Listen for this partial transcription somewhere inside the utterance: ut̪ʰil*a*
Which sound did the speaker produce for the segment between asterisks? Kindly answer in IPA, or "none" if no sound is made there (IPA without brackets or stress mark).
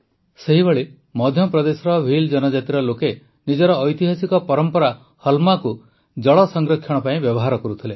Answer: e